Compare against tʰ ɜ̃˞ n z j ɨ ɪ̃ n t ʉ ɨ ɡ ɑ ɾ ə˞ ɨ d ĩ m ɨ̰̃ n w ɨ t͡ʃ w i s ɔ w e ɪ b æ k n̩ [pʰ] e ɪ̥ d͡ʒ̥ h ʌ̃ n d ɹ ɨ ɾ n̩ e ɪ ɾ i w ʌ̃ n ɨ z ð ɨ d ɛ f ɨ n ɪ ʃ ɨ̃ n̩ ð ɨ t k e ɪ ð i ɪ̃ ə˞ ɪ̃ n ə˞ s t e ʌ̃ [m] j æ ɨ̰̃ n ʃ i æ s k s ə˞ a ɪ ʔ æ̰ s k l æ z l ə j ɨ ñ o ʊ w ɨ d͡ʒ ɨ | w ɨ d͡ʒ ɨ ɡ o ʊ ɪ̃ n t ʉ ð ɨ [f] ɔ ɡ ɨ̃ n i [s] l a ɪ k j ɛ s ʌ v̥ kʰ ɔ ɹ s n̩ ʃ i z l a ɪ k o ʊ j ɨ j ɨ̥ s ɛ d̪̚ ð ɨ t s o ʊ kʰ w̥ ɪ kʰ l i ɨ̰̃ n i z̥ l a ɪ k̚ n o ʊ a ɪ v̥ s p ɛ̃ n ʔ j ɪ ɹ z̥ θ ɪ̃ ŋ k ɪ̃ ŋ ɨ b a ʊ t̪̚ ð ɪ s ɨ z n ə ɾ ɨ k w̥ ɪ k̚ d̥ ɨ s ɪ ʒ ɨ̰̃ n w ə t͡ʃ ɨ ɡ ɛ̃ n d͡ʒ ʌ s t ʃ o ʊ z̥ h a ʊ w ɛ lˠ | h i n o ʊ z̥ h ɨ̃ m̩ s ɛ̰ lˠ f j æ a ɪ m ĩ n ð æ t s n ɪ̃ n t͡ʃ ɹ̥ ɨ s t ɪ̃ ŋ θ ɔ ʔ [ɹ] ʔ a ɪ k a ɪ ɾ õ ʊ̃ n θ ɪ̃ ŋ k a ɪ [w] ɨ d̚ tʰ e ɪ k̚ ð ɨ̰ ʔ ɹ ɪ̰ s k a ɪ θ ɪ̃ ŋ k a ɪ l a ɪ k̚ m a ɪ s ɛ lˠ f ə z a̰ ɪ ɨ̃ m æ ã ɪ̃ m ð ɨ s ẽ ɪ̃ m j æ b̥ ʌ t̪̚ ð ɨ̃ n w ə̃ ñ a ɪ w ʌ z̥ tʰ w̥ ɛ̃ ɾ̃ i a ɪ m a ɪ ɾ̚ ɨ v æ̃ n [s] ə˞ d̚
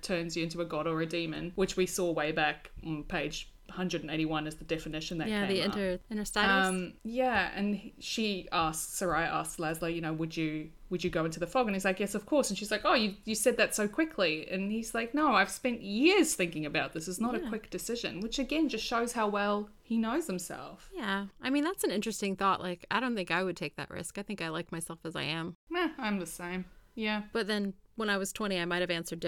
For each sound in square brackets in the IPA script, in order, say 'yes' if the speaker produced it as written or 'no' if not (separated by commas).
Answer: yes, yes, yes, no, no, yes, yes